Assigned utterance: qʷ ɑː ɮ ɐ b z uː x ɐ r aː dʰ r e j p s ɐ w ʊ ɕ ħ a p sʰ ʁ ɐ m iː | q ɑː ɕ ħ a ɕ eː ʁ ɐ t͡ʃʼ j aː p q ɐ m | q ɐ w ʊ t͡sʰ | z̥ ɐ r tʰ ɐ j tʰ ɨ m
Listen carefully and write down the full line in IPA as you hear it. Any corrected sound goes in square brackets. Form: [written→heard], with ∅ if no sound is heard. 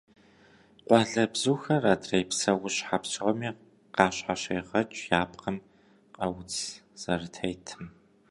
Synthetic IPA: qʷ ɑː ɮ ɐ b z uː x ɐ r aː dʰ r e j p s ɐ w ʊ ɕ ħ a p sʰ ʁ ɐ m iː | q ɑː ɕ ħ a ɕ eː ʁ ɐ t͡ʃʼ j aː p q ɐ m | q ɐ w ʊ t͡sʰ | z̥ ɐ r tʰ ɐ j tʰ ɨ m

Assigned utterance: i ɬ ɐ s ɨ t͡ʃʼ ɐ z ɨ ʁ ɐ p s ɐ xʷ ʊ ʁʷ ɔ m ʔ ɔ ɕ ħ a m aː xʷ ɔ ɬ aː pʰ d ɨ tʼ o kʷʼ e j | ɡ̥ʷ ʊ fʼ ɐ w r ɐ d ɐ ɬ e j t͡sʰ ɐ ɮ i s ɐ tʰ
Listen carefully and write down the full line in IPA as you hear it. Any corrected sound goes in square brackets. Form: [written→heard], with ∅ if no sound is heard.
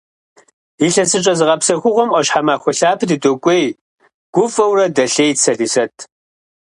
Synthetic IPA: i ɬ ɐ s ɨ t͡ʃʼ ɐ z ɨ ʁ ɐ p s ɐ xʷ ʊ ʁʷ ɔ m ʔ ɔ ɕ ħ a m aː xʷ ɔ ɬ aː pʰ d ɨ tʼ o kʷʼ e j | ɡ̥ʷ ʊ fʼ ɐ w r ɐ d ɐ ɬ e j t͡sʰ ɐ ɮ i s ɐ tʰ

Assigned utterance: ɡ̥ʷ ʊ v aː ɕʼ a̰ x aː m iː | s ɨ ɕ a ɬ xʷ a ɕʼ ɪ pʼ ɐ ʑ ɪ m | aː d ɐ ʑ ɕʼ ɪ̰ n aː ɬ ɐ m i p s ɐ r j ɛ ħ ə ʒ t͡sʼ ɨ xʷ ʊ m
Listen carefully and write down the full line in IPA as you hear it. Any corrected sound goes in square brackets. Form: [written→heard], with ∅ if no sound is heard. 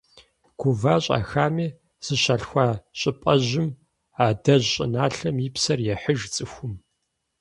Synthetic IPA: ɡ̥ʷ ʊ v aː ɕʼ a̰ x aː m iː | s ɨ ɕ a ɬ xʷ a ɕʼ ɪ pʼ ɐ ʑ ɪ m | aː d ɐ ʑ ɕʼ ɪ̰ n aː ɬ ɐ m i p s ɐ r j ɛ ħ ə ʒ t͡sʼ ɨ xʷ ʊ m

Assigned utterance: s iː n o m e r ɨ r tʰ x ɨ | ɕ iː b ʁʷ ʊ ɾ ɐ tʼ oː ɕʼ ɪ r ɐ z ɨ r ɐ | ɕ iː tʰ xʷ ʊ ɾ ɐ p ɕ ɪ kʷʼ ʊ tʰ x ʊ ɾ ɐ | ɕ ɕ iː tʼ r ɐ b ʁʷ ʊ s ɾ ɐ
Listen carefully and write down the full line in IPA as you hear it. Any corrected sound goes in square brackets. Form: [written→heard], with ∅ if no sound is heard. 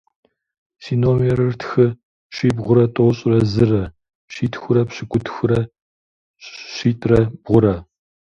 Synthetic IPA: s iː n o m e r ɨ r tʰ x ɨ | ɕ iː b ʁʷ ʊ ɾ ɐ tʼ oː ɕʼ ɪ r ɐ z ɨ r ɐ | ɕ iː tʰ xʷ ʊ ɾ ɐ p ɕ ɪ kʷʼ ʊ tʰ x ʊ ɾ ɐ | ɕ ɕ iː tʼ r ɐ b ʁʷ ʊ [s→∅] ɾ ɐ

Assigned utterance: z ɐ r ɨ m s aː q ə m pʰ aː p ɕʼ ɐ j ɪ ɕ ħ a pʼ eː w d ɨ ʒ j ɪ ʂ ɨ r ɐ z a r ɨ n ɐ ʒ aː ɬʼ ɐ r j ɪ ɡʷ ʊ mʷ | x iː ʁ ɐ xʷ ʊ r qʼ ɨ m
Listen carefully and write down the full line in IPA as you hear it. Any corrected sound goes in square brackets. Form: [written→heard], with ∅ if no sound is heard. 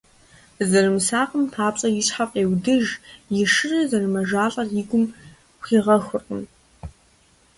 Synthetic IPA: z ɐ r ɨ m s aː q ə m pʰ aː p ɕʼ ɐ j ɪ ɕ ħ a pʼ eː w d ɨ ʒ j ɪ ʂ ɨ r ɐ z [a→ɐ] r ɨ [n→m] ɐ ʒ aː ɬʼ ɐ r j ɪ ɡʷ ʊ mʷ | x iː ʁ ɐ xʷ ʊ r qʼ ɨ m

